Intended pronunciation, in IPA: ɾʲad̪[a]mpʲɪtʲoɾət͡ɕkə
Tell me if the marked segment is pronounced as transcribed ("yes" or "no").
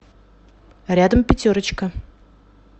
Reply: no